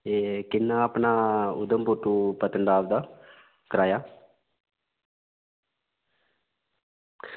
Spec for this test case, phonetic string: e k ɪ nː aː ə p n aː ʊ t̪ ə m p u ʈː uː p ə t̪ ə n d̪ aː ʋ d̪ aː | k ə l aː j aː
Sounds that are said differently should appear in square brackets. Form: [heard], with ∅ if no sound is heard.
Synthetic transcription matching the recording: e k ɪ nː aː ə p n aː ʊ [d̪] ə m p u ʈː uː p ə t̪ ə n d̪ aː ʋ d̪ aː | k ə [ɾ] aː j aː